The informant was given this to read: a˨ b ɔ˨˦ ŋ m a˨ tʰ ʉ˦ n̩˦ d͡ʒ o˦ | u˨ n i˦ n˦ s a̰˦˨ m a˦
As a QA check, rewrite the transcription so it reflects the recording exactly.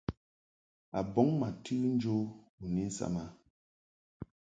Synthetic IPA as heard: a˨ b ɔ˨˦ ŋ m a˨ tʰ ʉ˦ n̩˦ d͡ʒ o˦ | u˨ n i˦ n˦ s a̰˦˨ m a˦